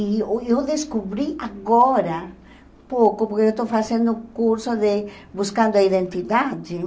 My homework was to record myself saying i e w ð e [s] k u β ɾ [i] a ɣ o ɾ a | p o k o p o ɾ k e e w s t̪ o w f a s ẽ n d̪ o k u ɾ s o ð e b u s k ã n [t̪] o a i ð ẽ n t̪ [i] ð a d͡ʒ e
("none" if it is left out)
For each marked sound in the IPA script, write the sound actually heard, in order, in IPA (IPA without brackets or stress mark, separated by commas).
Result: s, i, d̪, i